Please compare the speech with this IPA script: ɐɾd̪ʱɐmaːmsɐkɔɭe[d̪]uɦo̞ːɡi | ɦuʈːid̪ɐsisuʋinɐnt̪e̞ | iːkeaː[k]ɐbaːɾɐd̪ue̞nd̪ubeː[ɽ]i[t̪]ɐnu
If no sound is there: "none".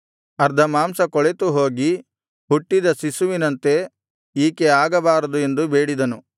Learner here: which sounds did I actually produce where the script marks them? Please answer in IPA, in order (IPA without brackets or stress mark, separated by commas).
t̪, ɡ, ɽ, d̪